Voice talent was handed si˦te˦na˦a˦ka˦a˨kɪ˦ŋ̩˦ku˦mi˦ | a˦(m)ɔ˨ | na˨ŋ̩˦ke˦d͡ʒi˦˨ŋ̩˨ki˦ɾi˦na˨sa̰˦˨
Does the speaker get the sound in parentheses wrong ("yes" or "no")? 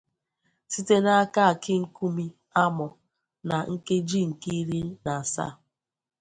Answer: no